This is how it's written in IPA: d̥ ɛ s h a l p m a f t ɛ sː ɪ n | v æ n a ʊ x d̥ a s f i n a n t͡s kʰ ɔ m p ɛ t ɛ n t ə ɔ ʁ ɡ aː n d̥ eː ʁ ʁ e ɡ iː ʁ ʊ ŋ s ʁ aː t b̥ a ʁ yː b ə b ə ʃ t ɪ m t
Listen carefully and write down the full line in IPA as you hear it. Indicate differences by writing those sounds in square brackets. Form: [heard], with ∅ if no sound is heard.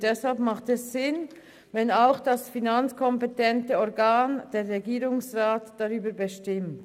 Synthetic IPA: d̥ ɛ s h a l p m a [χ] t ɛ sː ɪ n | v [ɛ] n a ʊ x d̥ a s f i n a n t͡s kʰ ɔ m p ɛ t ɛ n t ə ɔ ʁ ɡ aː n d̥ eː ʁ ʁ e ɡ iː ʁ ʊ ŋ s ʁ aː t [d̥] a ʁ yː b ə b ə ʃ t ɪ m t

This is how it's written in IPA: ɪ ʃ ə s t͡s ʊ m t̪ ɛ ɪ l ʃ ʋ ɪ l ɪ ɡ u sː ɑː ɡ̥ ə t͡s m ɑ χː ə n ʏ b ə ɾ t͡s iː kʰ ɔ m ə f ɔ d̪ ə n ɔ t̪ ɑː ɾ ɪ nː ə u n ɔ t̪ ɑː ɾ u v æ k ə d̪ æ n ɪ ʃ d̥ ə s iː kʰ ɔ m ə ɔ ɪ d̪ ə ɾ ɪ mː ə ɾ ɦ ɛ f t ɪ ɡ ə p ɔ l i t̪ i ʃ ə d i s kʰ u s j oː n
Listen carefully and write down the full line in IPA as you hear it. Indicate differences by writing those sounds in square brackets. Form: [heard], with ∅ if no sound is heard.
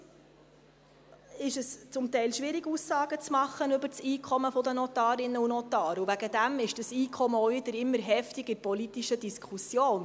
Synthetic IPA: ɪ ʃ ə s t͡s ʊ m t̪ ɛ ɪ l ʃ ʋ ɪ [ɾ] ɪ ɡ u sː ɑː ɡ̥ ə t͡s m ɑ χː ə n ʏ b ə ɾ t͡s iː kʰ ɔ m ə f ɔ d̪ ə n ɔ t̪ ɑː ɾ ɪ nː ə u n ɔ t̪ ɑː ɾ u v æ [ɡ] ə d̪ æ [m] ɪ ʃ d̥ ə s iː kʰ ɔ m ə ɔ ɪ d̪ ə ɾ ɪ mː ə ɾ ɦ ɛ f t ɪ ɡ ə p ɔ l i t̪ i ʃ ə d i s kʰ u s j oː n

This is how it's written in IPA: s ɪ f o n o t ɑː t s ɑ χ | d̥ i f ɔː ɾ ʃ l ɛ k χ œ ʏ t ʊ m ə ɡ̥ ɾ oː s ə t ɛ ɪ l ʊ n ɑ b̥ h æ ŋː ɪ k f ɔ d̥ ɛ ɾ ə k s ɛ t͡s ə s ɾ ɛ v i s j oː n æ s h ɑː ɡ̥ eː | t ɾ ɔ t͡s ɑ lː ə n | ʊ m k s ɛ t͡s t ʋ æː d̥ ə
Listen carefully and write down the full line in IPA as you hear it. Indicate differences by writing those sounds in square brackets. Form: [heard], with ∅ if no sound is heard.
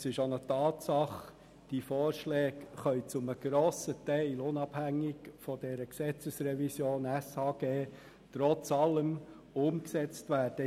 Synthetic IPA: s ɪ [ʃ] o n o t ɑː t s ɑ χ | d̥ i f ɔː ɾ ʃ l [ɛː] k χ œ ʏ [t͡s] ʊ m ə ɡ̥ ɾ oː s ə t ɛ ɪ l ʊ n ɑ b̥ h æ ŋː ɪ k f ɔ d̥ ɛ ɾ ə k s ɛ t͡s ə s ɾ ɛ v i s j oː n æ s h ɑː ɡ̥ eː | t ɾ ɔ t͡s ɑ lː ə [m] | ʊ m k s ɛ t͡s t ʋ æː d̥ ə

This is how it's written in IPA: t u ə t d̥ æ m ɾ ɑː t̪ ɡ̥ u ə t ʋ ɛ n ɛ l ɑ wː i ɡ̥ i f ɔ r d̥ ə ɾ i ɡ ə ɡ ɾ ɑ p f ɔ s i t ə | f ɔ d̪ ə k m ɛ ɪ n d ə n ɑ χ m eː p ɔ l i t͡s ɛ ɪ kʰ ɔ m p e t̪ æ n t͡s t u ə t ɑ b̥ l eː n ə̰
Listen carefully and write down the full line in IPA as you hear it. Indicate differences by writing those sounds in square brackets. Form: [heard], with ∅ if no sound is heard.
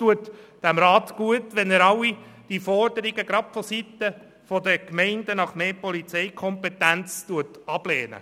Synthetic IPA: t u ə t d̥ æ m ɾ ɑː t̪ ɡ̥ u ə t ʋ ɛ n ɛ [ɾ] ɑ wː i [d̥] i f ɔ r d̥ ə ɾ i ɡ ə ɡ ɾ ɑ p f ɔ s i t ə | f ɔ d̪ ə k m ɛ ɪ n d ə n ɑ χ m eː p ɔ l i t͡s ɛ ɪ kʰ ɔ m p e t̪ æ n t͡s t u ə t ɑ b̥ l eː n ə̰

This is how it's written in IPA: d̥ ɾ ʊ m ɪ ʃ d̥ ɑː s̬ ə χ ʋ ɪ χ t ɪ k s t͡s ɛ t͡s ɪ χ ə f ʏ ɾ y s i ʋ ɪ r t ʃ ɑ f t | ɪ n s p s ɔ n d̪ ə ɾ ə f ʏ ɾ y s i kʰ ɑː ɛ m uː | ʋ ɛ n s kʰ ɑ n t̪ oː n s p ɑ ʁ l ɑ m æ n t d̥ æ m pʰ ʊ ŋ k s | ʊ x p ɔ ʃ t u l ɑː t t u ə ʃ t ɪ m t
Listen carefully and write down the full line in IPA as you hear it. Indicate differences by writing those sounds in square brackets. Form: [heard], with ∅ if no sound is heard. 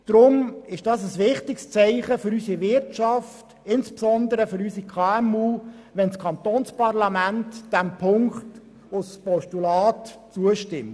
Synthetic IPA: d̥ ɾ ʊ m ɪ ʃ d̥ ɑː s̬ ə [s] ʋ ɪ χ t ɪ k s t͡s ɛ [∅] ɪ χ ə f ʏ ɾ y s i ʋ ɪ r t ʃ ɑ f t | ɪ n s p s ɔ n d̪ ə ɾ ə f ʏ ɾ y s i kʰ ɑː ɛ m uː | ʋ ɛ n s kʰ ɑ n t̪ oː n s p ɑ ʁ l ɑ m æ n t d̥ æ m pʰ ʊ ŋ k [t] | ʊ [s] p ɔ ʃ t u l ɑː t [t͡s] u ə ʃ t ɪ m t

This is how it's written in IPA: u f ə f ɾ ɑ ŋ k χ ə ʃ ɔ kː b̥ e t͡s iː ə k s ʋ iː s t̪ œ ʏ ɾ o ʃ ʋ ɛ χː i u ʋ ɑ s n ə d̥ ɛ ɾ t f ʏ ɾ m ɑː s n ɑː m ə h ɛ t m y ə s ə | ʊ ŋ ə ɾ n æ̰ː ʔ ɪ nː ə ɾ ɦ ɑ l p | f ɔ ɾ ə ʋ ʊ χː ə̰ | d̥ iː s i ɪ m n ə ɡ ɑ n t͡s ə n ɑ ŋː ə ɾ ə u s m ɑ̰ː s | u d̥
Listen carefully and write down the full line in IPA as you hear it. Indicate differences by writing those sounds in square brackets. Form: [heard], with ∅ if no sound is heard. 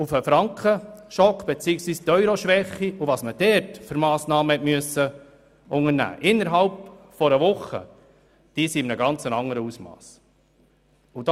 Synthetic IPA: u f ə f ɾ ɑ ŋ k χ ə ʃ ɔ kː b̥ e t͡s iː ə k s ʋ iː s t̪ œ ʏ ɾ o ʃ ʋ ɛ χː i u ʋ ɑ s [m] ə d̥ ɛ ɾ t f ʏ ɾ m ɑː s n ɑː m ə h ɛ t m y ə s ə | ʊ ŋ ə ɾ n æ̰ː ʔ ɪ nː ə ɾ ɦ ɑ l p | f ɔ ɾ ə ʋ ʊ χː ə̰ | d̥ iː s i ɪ m n ə ɡ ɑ n t͡s ə n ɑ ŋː ə ɾ ə u s m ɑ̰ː s | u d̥

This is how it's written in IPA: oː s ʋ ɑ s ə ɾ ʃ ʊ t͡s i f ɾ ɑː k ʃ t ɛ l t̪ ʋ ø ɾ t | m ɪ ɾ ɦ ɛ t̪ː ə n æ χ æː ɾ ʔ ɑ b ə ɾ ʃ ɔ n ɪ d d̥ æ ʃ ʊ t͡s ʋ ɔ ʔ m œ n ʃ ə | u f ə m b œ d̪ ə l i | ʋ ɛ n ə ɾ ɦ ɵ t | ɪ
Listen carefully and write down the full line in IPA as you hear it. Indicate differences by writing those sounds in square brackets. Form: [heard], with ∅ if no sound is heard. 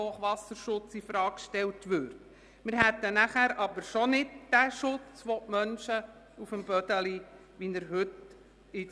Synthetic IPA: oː [χ] ʋ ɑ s ə ɾ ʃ ʊ t͡s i f ɾ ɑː k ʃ t ɛ l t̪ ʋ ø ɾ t | m ɪ ɾ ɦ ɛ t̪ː ə n æ χ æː ɾ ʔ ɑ b ə ɾ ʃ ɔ n ɪ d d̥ æ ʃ ʊ t͡s ʋ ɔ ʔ m œ n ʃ ə | u f ə m b œ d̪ ə l i | ʋ [i] n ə ɾ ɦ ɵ t | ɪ

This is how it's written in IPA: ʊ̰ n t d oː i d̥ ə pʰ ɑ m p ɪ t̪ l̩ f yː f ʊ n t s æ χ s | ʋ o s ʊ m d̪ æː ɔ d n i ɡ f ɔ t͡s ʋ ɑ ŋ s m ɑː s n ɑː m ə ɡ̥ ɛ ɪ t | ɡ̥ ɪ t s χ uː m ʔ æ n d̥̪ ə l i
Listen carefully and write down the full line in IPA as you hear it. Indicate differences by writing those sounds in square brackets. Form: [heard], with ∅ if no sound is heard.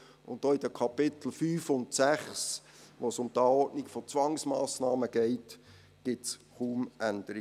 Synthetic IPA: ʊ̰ n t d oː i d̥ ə [kʰ] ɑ [∅] p ɪ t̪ l̩ f yː f ʊ n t s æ χ s | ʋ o s ʊ m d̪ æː ɔ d n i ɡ f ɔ t͡s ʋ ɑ ŋ s m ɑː s n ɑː m ə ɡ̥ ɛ ɪ t | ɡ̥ ɪ t s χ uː m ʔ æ n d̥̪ ə [ɾ] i

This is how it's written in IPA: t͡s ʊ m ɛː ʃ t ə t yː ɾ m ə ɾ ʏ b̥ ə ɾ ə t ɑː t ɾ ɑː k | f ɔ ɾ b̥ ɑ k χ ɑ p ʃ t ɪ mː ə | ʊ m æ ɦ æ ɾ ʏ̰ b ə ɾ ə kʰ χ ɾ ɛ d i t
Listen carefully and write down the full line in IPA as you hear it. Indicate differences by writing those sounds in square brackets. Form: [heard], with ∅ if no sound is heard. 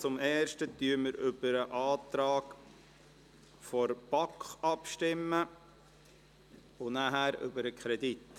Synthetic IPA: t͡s ʊ m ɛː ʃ t ə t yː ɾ m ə ɾ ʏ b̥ ə ɾ ə [ʔ] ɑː t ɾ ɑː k | f ɔ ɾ b̥ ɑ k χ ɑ p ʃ t ɪ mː ə | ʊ [n] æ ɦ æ ɾ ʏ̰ b ə ɾ ə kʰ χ ɾ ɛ d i t

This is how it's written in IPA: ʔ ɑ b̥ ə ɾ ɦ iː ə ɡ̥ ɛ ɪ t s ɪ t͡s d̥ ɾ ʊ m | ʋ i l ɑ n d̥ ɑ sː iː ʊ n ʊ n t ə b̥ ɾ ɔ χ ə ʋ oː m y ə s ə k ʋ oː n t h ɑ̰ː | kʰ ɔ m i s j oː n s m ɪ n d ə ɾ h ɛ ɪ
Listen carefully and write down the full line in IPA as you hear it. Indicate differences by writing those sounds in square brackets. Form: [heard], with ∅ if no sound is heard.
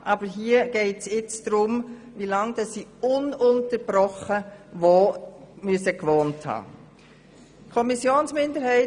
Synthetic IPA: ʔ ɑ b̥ ə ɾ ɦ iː ə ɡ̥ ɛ ɪ t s ɪ t͡s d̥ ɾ ʊ m | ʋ i l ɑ [ŋ] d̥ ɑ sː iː ʊ n ʊ n t ə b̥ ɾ ɔ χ ə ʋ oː m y ə s ə k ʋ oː n t h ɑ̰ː | kʰ ɔ m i s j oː n s m ɪ n d ə ɾ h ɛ ɪ

